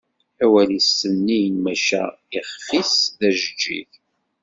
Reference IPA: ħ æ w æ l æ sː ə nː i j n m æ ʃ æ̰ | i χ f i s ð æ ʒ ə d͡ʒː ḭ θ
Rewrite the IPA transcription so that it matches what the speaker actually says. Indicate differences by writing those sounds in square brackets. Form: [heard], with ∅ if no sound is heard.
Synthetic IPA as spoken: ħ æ w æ l [i] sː ə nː i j n m æ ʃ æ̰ | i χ f i s ð æ ʒ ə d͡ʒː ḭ θ